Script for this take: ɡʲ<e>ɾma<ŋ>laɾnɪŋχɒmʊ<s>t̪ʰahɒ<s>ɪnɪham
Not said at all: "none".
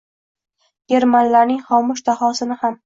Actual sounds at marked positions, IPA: e, n, ʃ, s

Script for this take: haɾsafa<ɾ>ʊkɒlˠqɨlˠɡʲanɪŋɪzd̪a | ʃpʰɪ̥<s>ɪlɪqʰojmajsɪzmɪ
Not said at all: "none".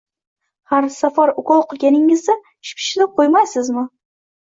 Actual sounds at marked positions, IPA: ɾ, ʃ

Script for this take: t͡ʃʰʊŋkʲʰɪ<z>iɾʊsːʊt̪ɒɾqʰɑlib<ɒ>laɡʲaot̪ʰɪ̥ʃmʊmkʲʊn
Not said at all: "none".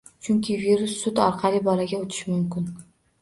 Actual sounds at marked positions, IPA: v, ɒ

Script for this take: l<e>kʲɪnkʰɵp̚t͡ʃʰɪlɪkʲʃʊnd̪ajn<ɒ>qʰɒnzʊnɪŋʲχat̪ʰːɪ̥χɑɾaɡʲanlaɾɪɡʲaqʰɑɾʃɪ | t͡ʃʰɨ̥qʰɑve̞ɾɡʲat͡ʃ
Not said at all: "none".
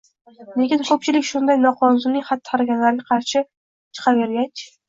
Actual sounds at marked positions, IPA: e, ɒ

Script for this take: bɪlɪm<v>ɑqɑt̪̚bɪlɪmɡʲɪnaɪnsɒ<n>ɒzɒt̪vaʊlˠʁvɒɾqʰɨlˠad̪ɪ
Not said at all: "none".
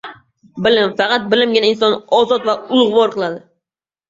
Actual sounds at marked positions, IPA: f, n

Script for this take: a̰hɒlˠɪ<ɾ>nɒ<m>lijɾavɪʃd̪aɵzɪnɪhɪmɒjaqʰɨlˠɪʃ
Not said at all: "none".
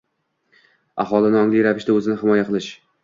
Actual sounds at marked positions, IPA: none, ŋ

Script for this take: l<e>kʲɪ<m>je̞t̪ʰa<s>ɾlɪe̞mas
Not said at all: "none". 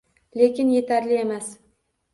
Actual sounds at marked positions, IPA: e, n, none

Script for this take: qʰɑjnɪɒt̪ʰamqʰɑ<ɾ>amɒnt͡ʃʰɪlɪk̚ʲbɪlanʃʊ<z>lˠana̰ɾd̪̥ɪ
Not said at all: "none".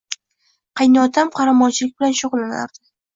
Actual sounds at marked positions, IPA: ɾ, ʁ

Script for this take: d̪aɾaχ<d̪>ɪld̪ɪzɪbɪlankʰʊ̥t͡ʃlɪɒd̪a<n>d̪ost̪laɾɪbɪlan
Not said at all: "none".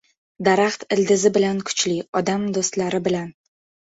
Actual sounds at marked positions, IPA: t̪, m

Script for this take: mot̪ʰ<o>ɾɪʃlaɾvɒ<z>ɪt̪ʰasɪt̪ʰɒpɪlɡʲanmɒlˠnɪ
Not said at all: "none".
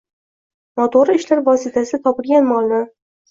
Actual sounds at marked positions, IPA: o, s

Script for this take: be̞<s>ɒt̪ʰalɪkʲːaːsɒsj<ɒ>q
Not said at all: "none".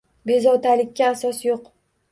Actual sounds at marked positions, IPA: z, o

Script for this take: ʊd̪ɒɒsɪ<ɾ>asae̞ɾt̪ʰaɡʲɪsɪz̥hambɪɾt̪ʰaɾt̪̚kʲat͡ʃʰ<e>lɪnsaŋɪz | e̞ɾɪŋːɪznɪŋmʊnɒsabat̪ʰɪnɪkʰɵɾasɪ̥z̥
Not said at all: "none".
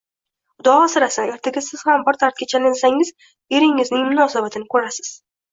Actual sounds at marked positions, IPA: ɾ, a

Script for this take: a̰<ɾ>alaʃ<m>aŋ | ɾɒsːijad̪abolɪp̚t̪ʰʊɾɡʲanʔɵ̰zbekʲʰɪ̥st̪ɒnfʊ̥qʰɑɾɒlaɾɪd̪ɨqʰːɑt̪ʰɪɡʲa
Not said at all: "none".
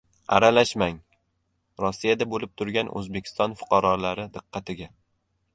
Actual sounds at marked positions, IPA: ɾ, m

